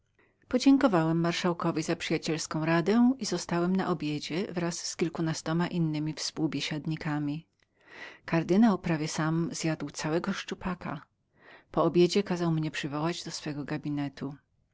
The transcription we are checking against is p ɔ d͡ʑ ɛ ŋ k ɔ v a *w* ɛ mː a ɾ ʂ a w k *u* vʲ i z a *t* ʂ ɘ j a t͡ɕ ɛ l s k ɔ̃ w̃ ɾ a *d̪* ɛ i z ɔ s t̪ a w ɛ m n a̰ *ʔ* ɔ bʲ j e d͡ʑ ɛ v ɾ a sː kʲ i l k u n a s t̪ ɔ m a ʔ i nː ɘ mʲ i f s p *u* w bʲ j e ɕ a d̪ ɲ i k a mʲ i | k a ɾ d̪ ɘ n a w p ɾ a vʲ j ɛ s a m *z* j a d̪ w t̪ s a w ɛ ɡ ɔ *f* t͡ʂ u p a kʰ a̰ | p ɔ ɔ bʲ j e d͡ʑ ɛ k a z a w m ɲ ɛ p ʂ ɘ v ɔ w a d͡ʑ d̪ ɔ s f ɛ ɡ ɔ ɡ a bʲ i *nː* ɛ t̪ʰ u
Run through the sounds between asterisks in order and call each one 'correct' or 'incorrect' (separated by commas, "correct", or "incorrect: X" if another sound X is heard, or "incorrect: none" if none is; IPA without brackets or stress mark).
correct, incorrect: ɔ, incorrect: p, correct, correct, correct, correct, incorrect: ʂ, incorrect: n